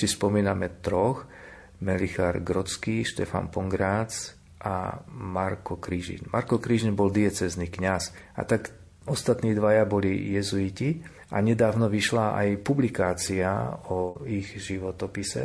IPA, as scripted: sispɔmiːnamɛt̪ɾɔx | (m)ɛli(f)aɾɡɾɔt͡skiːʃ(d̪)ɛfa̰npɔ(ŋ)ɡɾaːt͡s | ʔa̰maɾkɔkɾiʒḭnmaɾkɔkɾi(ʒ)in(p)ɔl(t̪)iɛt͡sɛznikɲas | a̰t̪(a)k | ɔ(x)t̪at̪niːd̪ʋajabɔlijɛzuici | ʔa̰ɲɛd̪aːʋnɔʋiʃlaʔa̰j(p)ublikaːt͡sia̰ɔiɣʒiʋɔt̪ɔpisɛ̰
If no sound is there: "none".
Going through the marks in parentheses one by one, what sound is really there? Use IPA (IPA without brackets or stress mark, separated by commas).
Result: m, x, t̪, ŋ, ʒ, b, d̪, a, s, p